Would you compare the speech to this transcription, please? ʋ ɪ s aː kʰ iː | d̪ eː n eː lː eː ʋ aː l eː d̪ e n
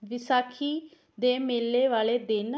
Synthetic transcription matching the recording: ʋ ɪ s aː kʰ iː | d̪ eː m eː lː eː ʋ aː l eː d̪ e n